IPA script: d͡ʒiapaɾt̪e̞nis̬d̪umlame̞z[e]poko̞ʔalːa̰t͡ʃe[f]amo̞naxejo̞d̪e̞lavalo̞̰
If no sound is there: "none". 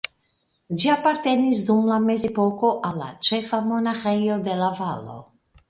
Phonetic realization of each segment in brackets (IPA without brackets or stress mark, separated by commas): e, f